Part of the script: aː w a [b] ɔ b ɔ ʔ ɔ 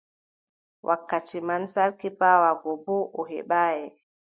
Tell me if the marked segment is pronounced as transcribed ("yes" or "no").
no